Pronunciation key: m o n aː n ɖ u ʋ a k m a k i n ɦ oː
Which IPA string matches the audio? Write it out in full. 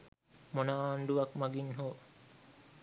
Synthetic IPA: m o n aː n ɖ u ʋ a k m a ɡ i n ɦ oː